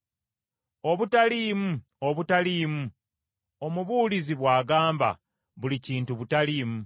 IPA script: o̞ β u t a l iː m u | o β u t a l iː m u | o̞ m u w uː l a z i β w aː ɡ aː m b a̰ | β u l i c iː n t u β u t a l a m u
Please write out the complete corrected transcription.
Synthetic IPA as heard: o̞ β u t a l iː m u | o β u t a l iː m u | o̞ m u β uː l i z i β w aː ɡ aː m b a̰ | β u l i c iː n t u β u t a l i m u